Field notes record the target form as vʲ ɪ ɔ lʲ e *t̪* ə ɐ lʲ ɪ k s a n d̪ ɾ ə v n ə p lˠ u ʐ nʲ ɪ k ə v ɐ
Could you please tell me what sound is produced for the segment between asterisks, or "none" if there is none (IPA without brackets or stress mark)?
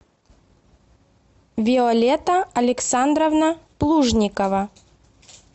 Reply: t̪